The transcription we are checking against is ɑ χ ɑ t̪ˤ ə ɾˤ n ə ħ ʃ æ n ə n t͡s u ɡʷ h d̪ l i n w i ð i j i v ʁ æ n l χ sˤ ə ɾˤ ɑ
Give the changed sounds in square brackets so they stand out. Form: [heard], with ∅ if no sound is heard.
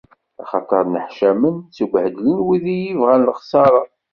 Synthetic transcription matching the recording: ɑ χ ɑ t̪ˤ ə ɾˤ n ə ħ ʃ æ [m] ə n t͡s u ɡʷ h d̪ l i n w i ð i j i v ʁ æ n l χ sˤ [ɑ] ɾˤ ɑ